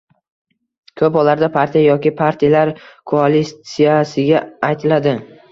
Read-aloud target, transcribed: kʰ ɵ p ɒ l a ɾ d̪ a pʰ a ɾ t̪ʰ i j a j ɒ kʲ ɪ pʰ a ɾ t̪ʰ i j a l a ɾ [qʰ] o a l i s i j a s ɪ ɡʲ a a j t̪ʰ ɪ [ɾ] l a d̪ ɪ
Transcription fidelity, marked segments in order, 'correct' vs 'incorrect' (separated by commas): incorrect, incorrect